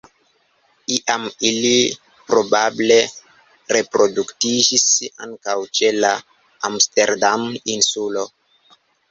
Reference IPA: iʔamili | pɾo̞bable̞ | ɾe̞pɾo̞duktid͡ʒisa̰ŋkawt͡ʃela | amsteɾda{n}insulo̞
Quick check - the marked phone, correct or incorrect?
incorrect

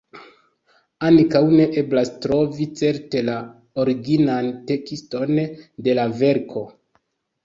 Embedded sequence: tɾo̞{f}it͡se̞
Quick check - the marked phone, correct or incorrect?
incorrect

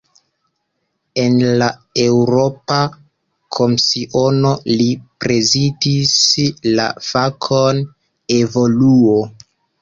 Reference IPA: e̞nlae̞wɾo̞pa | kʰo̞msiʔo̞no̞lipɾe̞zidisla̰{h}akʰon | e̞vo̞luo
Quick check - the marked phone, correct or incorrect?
incorrect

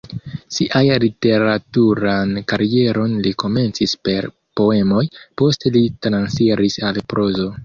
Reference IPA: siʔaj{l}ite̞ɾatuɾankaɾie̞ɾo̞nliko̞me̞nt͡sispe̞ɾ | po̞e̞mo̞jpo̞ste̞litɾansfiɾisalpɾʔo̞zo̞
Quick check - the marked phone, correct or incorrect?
correct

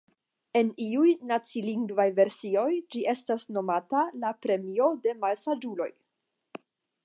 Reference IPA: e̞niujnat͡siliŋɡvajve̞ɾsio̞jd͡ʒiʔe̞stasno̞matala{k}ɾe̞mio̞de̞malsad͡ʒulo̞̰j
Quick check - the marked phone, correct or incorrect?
incorrect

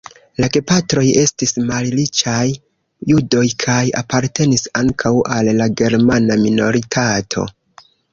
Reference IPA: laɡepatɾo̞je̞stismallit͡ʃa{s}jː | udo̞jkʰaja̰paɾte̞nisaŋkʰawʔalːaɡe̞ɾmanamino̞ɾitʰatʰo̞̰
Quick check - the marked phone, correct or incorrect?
incorrect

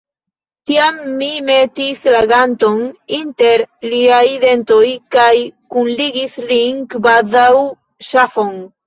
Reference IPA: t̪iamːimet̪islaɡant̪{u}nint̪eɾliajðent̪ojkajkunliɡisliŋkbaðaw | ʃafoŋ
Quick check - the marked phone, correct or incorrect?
incorrect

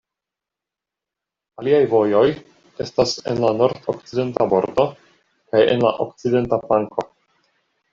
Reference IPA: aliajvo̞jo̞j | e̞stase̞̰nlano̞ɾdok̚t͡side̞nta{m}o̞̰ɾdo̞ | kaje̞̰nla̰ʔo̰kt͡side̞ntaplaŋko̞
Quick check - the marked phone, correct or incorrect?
incorrect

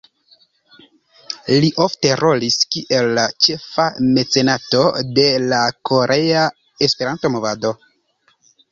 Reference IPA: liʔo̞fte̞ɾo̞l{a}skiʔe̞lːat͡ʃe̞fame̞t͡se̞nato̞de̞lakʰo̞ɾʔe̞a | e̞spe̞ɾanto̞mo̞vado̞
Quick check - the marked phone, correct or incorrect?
incorrect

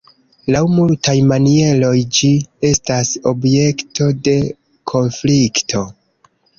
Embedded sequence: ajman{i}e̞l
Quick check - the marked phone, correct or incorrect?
correct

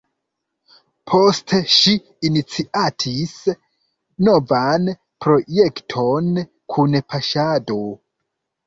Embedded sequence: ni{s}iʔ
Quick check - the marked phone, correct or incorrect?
incorrect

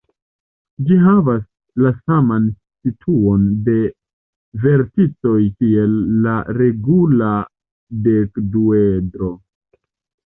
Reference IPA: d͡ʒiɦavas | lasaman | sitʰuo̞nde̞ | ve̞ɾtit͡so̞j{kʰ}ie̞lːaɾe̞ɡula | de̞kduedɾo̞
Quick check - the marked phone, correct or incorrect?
incorrect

